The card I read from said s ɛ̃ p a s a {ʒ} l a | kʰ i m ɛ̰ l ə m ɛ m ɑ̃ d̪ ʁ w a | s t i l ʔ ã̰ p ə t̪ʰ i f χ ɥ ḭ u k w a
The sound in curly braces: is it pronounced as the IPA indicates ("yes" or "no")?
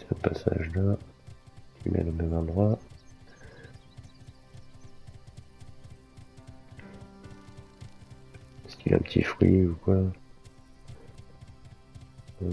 yes